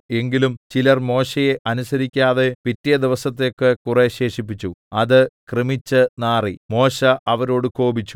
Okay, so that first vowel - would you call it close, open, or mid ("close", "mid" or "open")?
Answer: mid